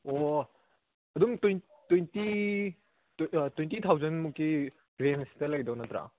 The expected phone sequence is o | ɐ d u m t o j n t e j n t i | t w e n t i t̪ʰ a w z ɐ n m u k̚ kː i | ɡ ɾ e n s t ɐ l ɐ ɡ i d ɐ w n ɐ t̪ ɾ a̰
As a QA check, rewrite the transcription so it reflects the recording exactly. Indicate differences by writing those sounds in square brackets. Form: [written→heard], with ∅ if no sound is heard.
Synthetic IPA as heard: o | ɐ d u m t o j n t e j n t i | t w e n t i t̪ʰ a w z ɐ n m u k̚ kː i | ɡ ɾ e n s t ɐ l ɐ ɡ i d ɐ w n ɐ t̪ ɾ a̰